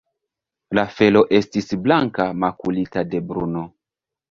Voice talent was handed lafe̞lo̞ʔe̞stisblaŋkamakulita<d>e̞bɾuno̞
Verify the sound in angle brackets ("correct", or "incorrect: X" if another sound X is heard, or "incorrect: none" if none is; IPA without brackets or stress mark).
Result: correct